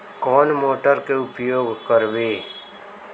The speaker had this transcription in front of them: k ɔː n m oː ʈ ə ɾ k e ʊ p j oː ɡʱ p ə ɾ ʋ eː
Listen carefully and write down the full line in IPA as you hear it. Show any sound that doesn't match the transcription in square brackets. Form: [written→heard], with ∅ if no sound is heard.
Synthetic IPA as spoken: k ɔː n m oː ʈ ə ɾ k e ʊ p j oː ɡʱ [p→k] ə ɾ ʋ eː

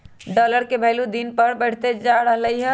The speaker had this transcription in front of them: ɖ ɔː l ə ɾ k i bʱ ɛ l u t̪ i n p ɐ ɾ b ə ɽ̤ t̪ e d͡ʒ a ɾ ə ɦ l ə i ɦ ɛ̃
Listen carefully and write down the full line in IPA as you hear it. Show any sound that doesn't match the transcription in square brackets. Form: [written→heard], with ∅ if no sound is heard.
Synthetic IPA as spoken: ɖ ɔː l ə ɾ k [i→e] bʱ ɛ l u [t̪→d̪] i n p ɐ ɾ b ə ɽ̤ t̪ e d͡ʒ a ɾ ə ɦ l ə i ɦ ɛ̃

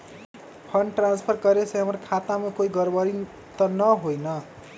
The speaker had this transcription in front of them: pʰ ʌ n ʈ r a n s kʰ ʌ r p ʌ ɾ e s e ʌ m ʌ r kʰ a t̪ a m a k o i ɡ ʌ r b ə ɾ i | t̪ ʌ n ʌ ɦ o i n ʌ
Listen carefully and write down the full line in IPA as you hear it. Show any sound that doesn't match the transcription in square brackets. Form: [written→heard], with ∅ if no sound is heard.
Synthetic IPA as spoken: pʰ ʌ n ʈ r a n s [kʰ→pʰ] ʌ r [p→k] ʌ ɾ e s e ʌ m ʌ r kʰ a t̪ a m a k o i ɡ ʌ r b [ə→ʌ] ɾ i | t̪ ʌ n ʌ ɦ o [i→j] n ʌ

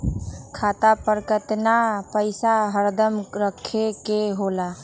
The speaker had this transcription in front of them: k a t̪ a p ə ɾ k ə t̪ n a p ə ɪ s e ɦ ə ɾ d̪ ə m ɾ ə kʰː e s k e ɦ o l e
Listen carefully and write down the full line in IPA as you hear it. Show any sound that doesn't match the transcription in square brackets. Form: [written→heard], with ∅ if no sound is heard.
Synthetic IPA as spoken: [k→kʰ] a t̪ a p ə ɾ k ə t̪ n a p ə ɪ s [e→a] ɦ ə ɾ d̪ ə m ɾ ə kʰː e [s→∅] k e ɦ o l [e→a]

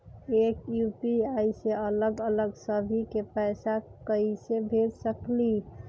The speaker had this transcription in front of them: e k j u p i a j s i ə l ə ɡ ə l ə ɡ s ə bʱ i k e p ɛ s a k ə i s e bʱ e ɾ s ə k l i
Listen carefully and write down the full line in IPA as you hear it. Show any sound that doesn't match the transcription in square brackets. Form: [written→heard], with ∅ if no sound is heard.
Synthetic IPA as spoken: e k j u p i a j s [i→e] ə l ə ɡ ə l ə ɡ s ə bʱ i k e p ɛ s a k ə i s e bʱ e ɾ s ə k l i

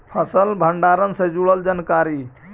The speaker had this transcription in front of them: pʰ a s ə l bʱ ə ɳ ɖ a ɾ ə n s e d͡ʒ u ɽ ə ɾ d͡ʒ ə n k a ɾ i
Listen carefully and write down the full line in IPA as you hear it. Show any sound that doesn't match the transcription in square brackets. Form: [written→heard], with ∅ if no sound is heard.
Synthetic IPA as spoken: pʰ [a→ə] s ə l bʱ ə ɳ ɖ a ɾ ə n s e d͡ʒ u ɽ ə [ɾ→l] d͡ʒ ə n k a ɾ i

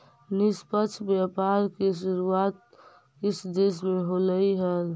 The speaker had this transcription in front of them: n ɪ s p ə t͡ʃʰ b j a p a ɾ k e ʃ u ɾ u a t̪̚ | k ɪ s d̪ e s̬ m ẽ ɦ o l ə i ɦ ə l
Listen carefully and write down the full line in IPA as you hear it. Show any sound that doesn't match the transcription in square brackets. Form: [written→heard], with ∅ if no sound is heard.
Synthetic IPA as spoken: n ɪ s p ə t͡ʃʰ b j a p a ɾ k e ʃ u ɾ u a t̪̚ | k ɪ s d̪ e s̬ m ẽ ɦ o l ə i ɦ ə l

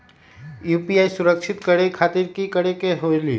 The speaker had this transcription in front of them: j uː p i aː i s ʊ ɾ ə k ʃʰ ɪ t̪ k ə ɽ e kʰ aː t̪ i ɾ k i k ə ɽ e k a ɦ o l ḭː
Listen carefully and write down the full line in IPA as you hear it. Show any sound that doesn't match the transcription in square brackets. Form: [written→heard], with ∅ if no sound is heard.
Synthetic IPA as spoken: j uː p i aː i s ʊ ɾ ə k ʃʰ ɪ t̪ k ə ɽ e kʰ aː t̪ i ɾ k i k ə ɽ e k [a→e] ɦ o l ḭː

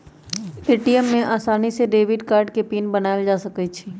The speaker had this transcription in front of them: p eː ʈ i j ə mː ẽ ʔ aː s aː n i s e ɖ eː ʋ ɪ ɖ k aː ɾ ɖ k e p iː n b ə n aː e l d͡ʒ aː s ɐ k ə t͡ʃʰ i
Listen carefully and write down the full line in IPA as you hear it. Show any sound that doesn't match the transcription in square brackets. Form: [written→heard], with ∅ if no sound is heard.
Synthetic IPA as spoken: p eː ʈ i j ə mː ẽ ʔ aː s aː n i s e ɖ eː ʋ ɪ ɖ k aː ɾ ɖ k e p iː n b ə n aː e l d͡ʒ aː s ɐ k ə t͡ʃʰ i

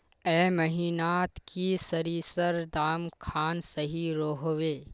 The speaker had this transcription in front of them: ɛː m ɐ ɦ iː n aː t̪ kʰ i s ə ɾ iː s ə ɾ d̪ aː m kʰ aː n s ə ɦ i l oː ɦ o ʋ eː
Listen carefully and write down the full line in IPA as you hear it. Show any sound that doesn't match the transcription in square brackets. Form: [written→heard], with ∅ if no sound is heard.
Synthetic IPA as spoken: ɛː m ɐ ɦ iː n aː t̪ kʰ i s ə ɾ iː s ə ɾ d̪ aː m kʰ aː n s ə ɦ i [l→ɾ] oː ɦ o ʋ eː

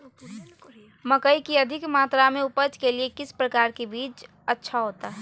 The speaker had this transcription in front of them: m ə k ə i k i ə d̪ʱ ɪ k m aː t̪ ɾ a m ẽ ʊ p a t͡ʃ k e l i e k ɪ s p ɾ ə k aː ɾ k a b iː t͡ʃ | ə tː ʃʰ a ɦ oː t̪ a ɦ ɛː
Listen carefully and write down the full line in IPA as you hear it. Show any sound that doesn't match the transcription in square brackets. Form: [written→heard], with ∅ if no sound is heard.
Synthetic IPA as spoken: m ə k ə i k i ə d̪ʱ ɪ k m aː t̪ ɾ a m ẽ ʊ p [a→ə] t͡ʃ k e l i e k ɪ s p ɾ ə k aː ɾ k [a→e] b iː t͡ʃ | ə tː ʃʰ a ɦ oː t̪ a ɦ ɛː

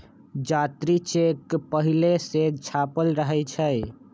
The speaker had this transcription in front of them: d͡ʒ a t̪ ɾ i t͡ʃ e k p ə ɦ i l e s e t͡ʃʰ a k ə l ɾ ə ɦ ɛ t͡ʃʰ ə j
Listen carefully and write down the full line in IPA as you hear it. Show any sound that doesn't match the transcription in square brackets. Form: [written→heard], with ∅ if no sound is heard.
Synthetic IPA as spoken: d͡ʒ a t̪ ɾ i t͡ʃ e k p ə ɦ i l e s e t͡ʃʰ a [k→p] ə l ɾ ə ɦ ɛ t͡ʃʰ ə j

